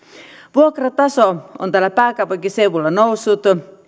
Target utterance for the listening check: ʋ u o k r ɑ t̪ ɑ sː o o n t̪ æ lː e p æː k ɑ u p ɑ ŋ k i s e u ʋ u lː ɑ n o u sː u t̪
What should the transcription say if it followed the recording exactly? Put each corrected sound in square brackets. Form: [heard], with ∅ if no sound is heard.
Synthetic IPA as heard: ʋ u o k r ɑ t̪ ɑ [s] o o n t̪ æ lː [æ] p æː k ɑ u p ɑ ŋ k i s e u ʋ u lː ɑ n o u sː u t̪